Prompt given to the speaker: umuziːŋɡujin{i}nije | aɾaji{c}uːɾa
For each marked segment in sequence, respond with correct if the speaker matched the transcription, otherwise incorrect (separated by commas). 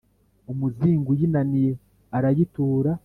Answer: incorrect, incorrect